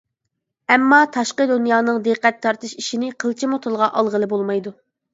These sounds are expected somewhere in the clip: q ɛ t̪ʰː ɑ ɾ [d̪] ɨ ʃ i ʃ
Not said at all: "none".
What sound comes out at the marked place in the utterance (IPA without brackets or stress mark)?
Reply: t̪